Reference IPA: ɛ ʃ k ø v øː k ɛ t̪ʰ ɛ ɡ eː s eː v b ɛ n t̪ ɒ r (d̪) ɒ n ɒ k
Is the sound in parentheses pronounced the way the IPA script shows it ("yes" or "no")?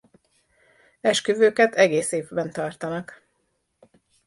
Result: no